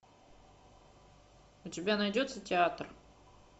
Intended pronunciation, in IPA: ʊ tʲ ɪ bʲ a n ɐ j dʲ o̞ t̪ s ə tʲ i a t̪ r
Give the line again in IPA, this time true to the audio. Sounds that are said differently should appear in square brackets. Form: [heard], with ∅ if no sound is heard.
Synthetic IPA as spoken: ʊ tʲ ɪ bʲ a n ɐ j dʲ o̞ t̪ s ə tʲ [ɪ] a t̪ r